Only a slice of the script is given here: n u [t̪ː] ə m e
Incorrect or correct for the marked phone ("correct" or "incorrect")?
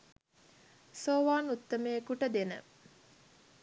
correct